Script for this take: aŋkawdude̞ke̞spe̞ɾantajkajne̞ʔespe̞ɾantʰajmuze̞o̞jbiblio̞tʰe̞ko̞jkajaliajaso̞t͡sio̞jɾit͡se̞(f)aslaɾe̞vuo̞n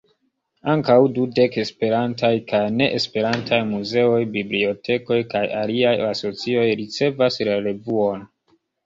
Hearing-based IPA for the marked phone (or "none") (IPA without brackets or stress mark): v